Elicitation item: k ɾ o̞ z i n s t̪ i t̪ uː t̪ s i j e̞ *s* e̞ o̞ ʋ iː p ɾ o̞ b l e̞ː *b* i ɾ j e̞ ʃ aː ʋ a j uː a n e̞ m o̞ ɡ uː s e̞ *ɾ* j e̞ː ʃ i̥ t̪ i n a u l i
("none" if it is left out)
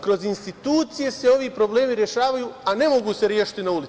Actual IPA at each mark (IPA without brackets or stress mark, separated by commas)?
s, m, ɾ